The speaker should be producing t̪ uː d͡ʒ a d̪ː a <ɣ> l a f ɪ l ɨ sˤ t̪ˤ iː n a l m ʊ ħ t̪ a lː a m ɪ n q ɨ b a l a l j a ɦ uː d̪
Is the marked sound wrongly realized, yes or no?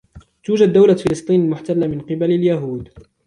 yes